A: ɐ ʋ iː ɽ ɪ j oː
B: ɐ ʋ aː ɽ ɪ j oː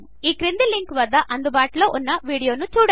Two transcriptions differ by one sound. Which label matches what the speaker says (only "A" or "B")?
A